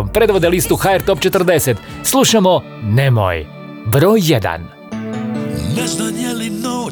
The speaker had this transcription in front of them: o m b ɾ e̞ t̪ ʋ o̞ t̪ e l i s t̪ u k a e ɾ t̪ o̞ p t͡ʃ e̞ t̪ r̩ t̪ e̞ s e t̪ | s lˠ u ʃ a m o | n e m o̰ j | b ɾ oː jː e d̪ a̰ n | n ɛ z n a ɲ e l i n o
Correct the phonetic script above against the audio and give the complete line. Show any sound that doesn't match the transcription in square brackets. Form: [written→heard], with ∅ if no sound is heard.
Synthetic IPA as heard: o m [b→p] ɾ e̞ [t̪→d̪] ʋ o̞ [t̪→d̪] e l i s t̪ u [k→x] a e ɾ t̪ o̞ p t͡ʃ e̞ t̪ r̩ [t̪→d̪] e̞ s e t̪ | s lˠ u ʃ a m o | n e m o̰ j | b ɾ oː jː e d̪ a̰ n | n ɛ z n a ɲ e l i n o